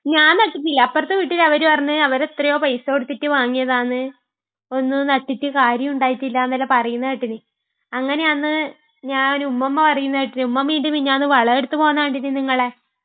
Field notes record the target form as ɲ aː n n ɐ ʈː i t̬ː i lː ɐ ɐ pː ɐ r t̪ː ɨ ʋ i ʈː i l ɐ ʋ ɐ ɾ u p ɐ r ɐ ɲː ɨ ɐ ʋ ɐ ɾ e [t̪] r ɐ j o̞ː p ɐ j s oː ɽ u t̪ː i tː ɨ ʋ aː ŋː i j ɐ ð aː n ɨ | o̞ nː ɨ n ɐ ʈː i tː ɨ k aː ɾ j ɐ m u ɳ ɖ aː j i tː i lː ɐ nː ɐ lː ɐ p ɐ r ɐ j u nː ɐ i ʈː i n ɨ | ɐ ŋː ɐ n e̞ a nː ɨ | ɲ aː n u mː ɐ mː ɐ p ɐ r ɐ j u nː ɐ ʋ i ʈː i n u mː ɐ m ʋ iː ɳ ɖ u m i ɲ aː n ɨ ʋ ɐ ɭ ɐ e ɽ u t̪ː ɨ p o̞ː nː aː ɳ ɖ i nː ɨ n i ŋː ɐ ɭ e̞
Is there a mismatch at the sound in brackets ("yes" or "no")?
no